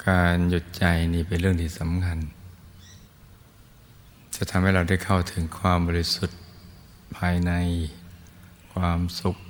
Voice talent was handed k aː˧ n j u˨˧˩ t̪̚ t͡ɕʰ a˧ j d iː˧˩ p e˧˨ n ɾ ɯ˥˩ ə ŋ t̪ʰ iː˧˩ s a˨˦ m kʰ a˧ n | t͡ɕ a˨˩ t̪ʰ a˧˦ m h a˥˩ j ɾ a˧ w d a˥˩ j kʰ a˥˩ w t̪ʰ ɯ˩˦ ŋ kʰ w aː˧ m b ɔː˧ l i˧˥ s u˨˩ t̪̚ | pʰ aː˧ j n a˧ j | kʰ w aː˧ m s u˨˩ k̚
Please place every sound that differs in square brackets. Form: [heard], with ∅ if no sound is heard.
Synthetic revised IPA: k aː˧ n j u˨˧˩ t̪̚ [t͡ɕ] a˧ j [n] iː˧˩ p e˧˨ n ɾ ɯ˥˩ ə ŋ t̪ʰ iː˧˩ s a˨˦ m kʰ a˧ n | t͡ɕ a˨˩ t̪ʰ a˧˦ m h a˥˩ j ɾ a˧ w d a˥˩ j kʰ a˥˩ w t̪ʰ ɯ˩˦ ŋ kʰ w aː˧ m b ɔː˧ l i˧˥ s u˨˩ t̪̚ | pʰ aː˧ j n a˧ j | kʰ w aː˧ m s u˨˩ k̚